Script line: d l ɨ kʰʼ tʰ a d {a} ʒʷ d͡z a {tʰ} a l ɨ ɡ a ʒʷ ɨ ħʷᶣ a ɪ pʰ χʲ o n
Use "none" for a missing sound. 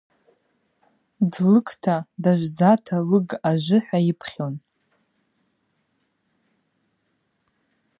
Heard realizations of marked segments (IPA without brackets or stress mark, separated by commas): a, tʰ